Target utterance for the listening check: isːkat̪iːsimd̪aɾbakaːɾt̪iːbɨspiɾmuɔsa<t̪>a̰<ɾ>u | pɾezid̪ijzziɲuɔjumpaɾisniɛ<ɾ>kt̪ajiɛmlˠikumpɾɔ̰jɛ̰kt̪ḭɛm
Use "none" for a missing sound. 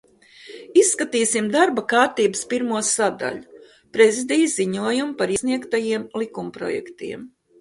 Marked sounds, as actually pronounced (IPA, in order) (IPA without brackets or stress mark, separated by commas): d̪, ʎ, none